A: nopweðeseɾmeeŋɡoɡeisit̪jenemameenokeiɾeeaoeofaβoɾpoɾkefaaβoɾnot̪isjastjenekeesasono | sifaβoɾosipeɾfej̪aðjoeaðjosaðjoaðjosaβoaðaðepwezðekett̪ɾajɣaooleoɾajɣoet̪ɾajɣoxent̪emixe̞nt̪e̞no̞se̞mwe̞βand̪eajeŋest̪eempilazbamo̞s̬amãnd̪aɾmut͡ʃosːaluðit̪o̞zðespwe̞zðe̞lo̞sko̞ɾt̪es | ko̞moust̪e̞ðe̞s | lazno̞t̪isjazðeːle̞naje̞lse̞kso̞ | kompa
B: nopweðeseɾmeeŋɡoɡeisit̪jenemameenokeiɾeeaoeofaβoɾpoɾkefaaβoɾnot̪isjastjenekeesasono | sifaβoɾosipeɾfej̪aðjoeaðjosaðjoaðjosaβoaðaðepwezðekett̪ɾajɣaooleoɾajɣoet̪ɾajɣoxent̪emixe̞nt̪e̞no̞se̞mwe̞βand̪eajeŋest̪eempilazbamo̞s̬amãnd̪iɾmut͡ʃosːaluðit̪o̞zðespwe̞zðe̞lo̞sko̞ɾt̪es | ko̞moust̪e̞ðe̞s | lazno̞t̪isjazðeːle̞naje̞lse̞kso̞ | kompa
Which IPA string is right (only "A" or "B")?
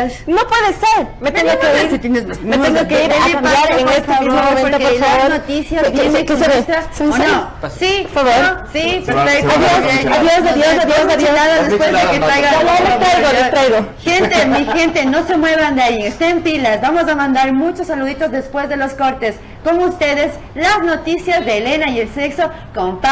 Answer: A